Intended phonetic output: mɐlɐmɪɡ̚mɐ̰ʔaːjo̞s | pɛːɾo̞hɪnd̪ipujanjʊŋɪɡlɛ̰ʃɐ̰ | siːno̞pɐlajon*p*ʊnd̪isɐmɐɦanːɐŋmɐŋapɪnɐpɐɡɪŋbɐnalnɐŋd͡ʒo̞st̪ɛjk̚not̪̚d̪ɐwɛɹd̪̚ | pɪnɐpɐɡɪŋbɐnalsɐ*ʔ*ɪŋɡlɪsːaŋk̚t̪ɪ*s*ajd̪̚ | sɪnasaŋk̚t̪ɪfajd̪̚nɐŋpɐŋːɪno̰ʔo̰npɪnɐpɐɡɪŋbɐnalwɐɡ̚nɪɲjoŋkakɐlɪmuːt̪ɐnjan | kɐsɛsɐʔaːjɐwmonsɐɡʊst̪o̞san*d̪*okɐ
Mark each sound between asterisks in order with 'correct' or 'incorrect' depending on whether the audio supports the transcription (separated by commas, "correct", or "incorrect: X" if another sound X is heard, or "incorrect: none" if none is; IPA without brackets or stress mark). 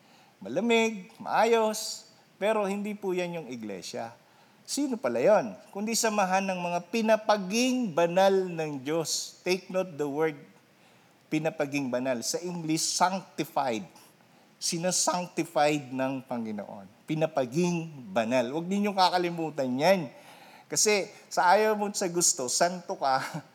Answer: incorrect: k, correct, incorrect: f, incorrect: t̪